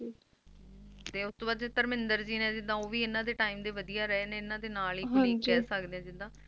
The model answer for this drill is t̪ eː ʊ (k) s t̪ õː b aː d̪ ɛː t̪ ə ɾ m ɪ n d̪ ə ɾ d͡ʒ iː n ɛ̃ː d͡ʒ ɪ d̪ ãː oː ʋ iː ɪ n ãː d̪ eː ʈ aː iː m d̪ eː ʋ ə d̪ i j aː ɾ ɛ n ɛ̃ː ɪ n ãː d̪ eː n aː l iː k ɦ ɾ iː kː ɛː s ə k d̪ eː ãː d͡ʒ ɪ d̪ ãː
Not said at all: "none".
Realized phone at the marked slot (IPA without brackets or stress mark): none